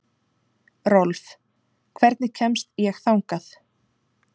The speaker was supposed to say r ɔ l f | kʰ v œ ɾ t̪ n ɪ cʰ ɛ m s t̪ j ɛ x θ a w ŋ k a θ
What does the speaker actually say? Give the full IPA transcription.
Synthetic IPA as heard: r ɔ l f | kʰ v ɛ ɾ t̪ n ɪ cʰ ɛ m s t̪ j ɛ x θ a w ŋ k a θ